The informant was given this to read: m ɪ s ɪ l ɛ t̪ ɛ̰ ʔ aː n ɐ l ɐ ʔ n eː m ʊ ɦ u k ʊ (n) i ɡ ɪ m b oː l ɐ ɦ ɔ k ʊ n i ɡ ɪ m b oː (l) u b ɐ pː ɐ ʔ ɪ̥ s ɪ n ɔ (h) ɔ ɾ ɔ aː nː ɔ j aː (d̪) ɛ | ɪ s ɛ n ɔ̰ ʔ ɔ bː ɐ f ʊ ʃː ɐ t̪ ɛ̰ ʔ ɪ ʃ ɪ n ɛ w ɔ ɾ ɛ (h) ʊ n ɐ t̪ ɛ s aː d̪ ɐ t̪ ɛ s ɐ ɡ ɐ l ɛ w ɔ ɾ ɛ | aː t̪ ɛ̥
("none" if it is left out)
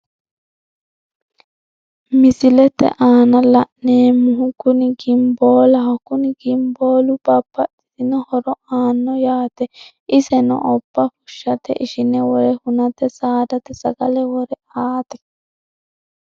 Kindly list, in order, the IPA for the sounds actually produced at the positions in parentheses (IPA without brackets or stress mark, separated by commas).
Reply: n, l, h, t̪, h